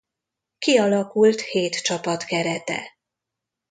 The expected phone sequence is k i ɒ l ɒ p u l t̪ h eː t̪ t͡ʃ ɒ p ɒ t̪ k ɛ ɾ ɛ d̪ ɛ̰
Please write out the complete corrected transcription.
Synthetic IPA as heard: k i ɒ l ɒ k u l t̪ h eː t̪ t͡ʃ ɒ p ɒ t̪ k ɛ ɾ ɛ t̪ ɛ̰